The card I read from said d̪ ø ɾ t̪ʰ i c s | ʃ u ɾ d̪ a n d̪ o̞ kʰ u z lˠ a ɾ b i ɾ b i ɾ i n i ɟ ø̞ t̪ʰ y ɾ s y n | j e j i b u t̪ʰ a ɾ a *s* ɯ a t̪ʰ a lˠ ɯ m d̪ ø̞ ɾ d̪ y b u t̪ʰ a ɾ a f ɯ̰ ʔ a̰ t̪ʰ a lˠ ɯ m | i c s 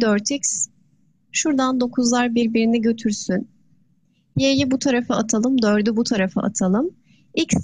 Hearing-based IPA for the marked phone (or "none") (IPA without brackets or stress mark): f